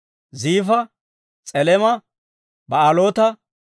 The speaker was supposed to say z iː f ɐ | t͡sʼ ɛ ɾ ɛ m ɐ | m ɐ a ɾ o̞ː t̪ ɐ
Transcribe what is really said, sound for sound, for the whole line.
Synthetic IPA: z iː f ɐ | t͡sʼ ɛ l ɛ m ɐ | b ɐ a l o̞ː t̪ ɐ